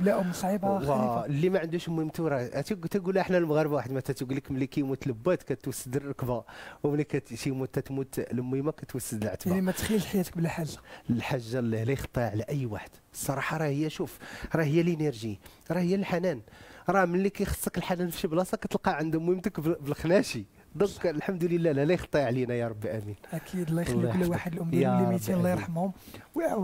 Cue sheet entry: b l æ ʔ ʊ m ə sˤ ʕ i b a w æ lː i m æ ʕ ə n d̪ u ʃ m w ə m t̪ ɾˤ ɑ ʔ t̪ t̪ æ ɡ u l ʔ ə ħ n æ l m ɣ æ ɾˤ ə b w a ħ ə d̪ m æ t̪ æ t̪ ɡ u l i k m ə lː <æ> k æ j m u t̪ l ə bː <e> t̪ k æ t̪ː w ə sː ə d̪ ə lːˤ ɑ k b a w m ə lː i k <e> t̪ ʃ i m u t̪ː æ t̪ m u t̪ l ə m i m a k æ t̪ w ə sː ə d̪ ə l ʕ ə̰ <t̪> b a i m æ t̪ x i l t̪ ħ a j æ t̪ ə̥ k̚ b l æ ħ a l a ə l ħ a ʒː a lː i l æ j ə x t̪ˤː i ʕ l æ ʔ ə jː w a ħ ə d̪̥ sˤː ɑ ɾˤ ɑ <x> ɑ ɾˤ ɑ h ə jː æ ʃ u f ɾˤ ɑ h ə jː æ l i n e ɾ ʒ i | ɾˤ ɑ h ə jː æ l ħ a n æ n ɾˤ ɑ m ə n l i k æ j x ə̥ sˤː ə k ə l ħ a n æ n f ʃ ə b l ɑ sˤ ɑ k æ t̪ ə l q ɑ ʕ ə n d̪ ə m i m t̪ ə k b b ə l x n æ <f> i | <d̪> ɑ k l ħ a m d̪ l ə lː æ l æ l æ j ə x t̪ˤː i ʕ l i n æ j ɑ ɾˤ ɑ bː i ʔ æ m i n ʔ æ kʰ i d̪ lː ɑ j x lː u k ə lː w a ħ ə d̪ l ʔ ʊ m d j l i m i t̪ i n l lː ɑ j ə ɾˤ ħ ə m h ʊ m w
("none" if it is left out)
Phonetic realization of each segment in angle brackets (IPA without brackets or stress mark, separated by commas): i, æ, æ, t̪, ħ, ʃ, d̪